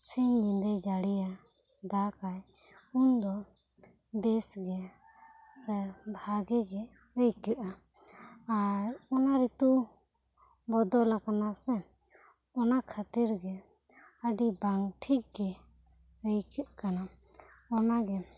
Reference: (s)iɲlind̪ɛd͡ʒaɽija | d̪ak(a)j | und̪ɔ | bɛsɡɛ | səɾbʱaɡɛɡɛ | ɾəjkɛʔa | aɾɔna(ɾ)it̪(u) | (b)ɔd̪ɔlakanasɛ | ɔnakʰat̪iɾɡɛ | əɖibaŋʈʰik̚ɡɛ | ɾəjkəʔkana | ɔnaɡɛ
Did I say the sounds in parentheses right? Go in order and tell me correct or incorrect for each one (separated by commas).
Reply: correct, correct, correct, correct, correct